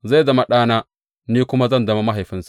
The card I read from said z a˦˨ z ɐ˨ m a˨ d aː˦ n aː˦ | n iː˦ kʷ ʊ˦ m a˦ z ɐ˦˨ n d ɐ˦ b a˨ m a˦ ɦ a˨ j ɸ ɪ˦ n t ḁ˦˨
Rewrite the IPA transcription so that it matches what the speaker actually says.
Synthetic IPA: z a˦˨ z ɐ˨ m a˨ ɗ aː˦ n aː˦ | n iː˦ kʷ ʊ˦ m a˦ z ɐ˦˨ n d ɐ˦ m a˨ m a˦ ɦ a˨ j ɸ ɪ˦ n s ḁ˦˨